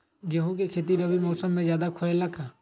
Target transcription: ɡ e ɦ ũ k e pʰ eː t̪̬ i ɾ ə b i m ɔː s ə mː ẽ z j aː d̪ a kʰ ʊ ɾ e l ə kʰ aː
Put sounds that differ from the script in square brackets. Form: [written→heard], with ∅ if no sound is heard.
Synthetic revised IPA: ɡ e ɦ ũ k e [pʰ→kʰ] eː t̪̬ i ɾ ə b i m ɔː s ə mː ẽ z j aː d̪ a kʰ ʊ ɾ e l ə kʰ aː

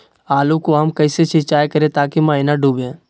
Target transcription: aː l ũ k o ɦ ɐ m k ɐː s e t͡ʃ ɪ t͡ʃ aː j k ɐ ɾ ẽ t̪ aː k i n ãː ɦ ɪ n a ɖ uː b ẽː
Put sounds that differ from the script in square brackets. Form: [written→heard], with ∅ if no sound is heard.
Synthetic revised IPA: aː l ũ k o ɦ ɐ m k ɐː s e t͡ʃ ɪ t͡ʃ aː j k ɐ ɾ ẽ t̪ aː k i [n→m] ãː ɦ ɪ n a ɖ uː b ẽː

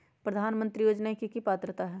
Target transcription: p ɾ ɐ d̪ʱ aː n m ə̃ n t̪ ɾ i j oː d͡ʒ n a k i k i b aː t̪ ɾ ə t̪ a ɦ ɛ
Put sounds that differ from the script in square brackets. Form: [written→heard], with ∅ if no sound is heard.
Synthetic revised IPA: p ɾ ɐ d̪ʱ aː n m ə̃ n t̪ ɾ i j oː d͡ʒ n a k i k i [b→p] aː t̪ ɾ ə t̪ a ɦ ɛ

